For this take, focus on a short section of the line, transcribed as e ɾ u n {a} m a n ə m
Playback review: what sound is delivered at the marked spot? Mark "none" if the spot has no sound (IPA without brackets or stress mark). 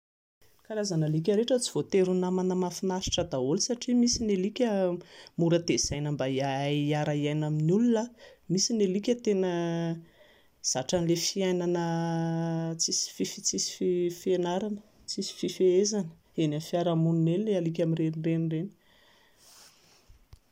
a